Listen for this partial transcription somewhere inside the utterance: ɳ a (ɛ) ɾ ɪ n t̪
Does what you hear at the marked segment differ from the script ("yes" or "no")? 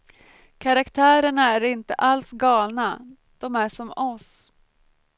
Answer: yes